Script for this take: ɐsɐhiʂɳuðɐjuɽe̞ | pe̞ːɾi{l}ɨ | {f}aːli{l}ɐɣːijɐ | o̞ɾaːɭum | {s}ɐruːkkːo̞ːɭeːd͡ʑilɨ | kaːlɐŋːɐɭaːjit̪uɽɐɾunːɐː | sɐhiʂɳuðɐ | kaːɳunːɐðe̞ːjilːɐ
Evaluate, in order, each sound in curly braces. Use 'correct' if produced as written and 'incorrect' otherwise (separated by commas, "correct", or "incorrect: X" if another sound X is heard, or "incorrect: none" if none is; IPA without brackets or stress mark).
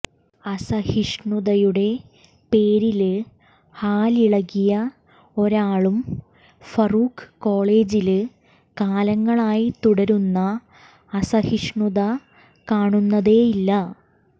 correct, incorrect: h, incorrect: ɭ, incorrect: f